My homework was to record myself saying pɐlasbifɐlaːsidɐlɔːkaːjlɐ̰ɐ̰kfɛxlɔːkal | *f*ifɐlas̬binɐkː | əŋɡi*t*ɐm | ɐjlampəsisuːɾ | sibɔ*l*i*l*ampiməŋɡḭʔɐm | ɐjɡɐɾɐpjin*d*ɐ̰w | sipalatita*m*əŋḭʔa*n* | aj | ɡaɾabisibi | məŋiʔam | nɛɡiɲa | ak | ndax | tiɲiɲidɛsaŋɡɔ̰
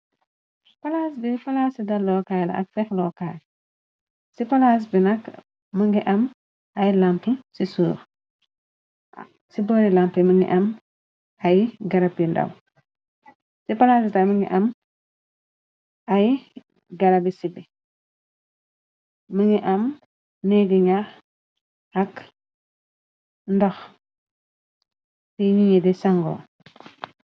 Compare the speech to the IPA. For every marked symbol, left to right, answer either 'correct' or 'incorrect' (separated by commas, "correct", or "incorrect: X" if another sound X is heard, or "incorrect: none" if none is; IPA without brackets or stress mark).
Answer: incorrect: s, incorrect: ʔ, incorrect: ɾ, correct, correct, correct, incorrect: m